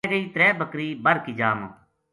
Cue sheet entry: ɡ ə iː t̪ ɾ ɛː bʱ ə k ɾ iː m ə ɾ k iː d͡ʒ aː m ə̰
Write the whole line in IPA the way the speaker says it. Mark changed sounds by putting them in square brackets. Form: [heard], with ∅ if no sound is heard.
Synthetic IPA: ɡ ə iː t̪ ɾ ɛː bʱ ə k ɾ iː [b] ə ɾ k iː d͡ʒ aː m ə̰